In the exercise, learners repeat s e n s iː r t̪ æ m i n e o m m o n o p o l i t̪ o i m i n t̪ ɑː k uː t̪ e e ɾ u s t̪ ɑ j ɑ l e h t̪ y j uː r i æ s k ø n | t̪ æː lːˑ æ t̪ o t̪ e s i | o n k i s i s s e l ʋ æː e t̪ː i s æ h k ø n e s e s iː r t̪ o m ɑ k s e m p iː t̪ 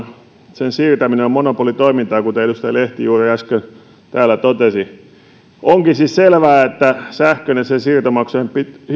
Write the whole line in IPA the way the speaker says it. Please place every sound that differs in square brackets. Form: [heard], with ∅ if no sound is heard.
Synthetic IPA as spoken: s e n s iː r t̪ æ m i n e o m m o n o p o l i t̪ o i m i n t̪ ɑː k [u] t̪ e e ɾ u s t̪ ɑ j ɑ l e h t̪ [i] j uː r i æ s k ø n | t̪ æː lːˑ æ t̪ o t̪ e s i | o [ŋ] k i s i s s e l ʋ æː e t̪ː [æ] s æ h k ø n e s e s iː r t̪ o m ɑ k s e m p [i] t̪